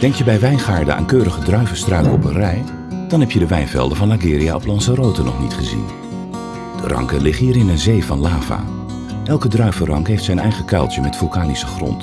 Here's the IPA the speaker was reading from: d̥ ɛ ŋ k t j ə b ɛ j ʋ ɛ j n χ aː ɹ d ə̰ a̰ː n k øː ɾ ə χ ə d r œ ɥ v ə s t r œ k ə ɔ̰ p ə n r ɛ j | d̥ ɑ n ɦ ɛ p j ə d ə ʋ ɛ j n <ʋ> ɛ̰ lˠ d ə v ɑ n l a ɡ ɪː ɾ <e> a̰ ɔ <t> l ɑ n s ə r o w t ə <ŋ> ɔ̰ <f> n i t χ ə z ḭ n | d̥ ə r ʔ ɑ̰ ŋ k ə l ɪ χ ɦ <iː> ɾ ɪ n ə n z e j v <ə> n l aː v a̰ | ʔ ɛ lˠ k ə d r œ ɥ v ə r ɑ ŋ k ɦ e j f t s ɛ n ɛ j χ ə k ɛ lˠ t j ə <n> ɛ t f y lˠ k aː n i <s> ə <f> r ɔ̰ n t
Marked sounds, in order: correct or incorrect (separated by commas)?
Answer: incorrect, incorrect, incorrect, incorrect, incorrect, correct, incorrect, incorrect, correct, incorrect